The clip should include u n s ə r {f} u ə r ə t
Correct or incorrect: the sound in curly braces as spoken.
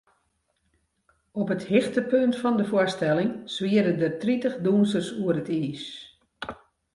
incorrect: s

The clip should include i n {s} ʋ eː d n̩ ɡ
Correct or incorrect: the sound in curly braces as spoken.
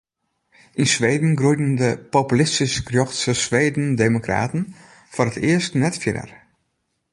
correct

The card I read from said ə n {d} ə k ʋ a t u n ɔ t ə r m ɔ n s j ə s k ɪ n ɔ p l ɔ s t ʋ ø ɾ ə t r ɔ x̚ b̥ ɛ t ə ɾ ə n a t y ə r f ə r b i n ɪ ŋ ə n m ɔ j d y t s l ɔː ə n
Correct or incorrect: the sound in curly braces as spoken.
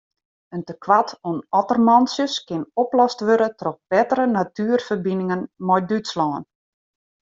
incorrect: t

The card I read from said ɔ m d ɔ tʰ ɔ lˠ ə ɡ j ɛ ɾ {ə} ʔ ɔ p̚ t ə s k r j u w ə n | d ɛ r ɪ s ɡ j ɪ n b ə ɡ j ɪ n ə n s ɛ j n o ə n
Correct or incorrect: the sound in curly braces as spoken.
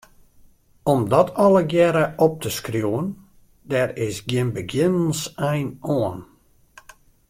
correct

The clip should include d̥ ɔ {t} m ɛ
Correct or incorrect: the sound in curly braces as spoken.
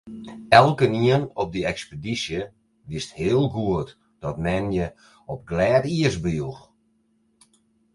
correct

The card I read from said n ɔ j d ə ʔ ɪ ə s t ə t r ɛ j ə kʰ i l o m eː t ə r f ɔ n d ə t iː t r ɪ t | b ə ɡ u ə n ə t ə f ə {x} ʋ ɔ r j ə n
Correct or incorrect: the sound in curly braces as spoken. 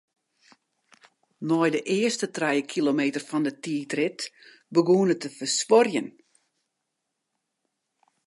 incorrect: s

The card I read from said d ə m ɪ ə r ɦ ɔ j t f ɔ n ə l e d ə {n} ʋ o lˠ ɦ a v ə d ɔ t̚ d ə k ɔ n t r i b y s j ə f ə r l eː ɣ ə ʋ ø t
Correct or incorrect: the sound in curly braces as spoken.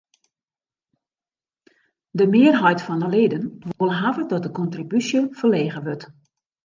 correct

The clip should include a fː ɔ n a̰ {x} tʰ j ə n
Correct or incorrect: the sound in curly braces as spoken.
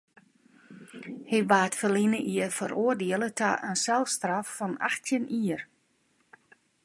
correct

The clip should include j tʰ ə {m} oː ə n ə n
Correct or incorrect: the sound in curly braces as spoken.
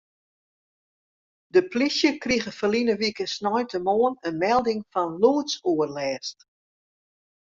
correct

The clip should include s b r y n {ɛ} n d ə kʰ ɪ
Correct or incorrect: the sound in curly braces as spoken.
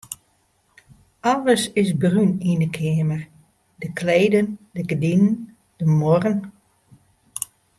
incorrect: i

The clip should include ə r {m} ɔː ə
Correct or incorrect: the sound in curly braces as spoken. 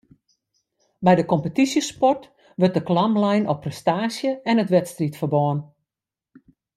incorrect: b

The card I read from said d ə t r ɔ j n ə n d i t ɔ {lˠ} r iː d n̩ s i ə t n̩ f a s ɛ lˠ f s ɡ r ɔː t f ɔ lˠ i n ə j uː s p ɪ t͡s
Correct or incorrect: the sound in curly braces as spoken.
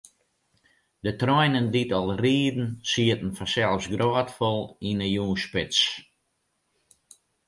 correct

